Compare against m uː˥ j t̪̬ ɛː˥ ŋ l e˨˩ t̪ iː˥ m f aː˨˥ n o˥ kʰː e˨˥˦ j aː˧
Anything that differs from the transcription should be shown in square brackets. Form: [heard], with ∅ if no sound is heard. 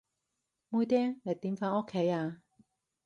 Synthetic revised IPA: m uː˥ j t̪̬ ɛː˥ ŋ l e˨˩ t̪ [iː˨˥] m f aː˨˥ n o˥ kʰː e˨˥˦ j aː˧